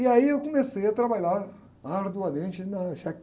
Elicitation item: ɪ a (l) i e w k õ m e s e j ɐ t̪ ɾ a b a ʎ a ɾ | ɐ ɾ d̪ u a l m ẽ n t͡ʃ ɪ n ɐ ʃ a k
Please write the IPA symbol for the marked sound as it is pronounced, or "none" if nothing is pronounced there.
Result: none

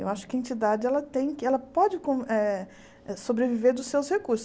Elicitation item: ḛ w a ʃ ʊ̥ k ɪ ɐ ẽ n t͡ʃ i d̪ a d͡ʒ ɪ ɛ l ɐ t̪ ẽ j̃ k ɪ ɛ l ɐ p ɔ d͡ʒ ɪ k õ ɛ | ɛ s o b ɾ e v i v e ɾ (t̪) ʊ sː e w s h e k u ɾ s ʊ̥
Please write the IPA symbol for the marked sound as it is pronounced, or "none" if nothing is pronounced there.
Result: d̪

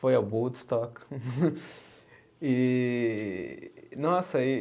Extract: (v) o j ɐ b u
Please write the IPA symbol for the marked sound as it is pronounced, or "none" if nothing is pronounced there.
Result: f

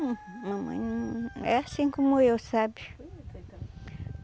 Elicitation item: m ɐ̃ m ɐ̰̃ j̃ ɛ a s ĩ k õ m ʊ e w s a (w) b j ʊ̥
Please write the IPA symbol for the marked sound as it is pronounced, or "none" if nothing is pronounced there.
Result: none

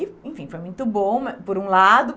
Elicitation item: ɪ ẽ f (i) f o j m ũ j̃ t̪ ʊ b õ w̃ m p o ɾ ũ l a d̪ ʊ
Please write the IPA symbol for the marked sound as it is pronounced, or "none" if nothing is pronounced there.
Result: ĩ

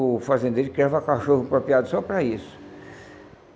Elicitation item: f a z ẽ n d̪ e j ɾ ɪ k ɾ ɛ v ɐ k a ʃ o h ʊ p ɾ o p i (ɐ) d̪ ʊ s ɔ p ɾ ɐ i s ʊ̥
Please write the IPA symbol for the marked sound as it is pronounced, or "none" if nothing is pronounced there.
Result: a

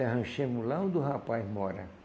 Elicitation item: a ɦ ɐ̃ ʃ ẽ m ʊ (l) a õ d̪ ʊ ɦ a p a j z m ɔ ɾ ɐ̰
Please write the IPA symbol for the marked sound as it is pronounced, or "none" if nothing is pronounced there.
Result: l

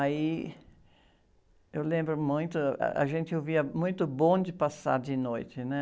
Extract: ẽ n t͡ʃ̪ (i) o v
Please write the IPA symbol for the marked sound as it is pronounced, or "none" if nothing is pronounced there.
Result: ɪ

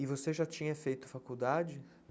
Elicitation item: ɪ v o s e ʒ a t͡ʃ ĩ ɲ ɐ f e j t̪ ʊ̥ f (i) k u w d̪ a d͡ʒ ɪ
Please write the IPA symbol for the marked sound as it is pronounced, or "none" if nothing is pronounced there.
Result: a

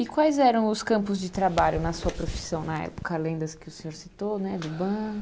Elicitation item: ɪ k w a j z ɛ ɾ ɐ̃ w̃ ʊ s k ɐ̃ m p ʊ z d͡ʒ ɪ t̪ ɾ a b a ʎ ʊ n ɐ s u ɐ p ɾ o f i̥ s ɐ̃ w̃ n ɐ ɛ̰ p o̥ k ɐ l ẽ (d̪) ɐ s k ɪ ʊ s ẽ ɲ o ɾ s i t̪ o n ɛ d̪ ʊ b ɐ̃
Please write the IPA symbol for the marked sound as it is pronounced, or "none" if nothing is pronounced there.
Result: d̪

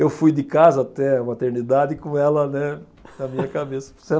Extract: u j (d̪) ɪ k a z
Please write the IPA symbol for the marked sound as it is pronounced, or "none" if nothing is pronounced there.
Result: d̪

